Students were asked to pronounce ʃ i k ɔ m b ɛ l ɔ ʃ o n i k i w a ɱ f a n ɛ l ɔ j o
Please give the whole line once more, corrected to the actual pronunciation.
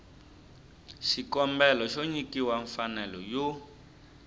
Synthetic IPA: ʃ i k ɔ m b ɛ l ɔ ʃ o ɲ i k i w a ɱ f a n ɛ l ɔ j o